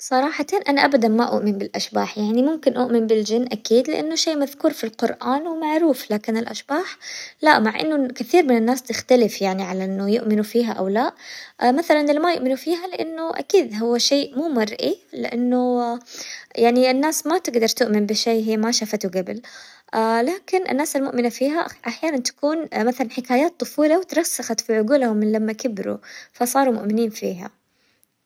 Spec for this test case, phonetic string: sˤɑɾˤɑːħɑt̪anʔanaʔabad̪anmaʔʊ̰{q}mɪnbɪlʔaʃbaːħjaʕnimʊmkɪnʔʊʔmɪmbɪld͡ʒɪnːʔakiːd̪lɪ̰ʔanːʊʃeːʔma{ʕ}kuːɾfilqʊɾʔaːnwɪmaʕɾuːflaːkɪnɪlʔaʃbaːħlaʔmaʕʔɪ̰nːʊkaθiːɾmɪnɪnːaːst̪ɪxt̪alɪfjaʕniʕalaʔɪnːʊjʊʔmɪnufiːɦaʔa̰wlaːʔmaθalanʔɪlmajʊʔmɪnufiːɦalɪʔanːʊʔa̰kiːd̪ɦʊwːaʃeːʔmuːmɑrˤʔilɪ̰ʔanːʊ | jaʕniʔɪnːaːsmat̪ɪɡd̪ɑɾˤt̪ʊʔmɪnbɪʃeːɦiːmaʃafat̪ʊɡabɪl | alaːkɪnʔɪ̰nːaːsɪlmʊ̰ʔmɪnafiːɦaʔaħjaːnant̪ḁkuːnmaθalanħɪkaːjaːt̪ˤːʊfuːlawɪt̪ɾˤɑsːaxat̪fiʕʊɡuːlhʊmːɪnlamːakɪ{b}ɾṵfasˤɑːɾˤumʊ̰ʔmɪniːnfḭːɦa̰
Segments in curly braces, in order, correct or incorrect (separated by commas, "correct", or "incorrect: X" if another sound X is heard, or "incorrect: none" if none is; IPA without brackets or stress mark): incorrect: ʔ, incorrect: ð, correct